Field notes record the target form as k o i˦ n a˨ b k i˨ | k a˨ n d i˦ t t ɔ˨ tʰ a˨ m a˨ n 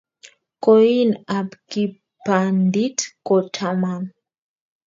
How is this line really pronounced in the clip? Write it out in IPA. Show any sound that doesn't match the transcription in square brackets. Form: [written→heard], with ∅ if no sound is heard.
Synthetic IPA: k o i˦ n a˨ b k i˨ | [k→p] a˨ n d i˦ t [t→k] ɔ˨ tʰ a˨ m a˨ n